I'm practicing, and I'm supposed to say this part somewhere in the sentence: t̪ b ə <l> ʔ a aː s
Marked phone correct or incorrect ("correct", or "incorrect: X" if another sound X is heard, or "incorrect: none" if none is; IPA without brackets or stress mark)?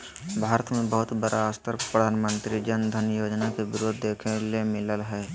incorrect: ɾ